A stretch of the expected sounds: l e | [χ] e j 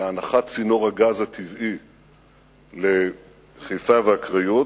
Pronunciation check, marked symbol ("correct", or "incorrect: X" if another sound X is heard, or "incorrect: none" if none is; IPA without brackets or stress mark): correct